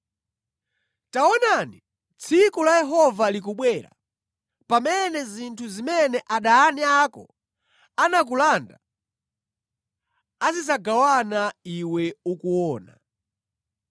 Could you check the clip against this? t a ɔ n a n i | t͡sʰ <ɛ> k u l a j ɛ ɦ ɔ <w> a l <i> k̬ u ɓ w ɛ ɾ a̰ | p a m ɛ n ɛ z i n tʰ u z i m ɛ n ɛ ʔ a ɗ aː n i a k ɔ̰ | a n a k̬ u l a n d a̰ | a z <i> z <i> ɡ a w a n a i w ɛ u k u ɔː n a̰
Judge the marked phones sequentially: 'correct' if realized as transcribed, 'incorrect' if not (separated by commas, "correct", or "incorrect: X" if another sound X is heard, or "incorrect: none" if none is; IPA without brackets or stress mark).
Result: incorrect: i, incorrect: v, correct, correct, incorrect: a